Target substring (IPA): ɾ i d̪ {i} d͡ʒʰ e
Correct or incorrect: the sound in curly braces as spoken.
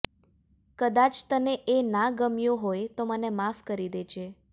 incorrect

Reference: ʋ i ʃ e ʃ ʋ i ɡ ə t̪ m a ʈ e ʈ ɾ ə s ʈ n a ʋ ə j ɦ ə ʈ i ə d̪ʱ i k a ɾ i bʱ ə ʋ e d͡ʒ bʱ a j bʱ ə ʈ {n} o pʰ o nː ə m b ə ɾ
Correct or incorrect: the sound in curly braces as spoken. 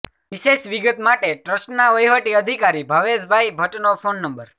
correct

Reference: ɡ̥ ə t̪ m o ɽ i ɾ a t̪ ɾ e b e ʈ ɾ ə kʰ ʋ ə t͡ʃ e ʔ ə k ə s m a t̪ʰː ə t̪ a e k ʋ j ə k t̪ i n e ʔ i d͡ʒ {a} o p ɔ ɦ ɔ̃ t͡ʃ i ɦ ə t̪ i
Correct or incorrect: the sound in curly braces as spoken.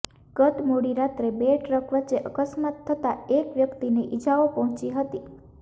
correct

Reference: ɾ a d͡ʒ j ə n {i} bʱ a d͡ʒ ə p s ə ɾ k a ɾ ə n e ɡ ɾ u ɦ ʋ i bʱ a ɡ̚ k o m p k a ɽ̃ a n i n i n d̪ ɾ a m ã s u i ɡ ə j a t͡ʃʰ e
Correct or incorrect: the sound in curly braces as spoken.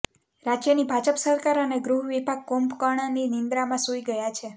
correct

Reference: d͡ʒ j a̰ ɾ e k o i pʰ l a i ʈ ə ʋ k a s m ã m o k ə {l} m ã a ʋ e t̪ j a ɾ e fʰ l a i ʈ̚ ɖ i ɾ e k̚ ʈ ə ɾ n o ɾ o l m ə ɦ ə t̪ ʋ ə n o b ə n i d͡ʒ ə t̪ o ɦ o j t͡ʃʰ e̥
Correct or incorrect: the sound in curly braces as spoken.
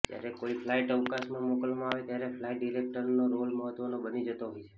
correct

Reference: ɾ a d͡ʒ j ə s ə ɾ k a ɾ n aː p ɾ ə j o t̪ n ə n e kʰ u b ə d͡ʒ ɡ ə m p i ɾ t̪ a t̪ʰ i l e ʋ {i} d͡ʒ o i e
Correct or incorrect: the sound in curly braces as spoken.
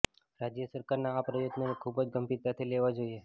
incorrect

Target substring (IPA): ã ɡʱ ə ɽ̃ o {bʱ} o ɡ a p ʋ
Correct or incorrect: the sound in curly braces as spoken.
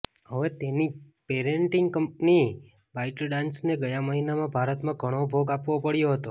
correct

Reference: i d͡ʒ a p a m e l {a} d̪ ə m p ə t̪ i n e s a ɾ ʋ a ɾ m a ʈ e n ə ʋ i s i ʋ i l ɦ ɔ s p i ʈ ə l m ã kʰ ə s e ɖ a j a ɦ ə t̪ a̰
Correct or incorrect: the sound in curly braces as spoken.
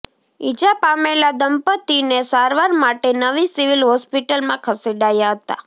correct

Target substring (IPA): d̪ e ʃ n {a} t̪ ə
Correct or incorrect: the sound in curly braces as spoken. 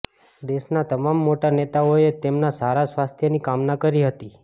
correct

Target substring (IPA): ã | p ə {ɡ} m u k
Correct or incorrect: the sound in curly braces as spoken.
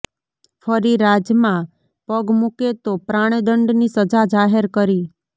correct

